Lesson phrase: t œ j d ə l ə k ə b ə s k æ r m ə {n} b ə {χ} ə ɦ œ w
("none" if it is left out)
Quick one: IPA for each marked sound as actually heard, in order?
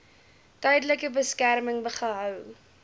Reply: ŋ, χ

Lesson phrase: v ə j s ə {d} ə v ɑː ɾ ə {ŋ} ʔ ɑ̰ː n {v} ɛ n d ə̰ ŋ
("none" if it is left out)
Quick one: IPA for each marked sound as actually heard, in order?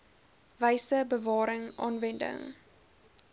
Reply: b, ŋ, v

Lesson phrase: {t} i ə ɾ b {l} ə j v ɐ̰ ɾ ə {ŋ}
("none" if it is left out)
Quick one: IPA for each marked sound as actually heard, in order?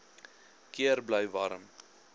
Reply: k, l, m

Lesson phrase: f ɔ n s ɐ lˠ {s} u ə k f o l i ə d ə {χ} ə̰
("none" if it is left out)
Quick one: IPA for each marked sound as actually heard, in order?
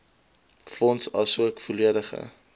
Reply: s, χ

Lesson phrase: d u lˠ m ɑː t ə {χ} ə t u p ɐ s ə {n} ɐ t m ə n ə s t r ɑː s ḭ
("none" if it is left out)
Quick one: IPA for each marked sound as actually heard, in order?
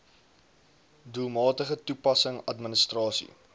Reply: χ, ŋ

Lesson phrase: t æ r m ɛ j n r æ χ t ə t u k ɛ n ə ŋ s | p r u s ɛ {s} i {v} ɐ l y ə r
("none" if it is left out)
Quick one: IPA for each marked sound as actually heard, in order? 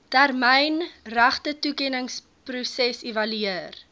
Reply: s, v

